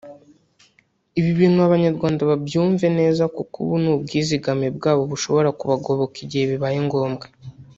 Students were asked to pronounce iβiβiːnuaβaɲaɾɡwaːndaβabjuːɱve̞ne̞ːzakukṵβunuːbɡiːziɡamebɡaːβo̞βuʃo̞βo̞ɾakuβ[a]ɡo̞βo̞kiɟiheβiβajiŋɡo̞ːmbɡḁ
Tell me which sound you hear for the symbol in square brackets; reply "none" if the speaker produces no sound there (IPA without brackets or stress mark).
a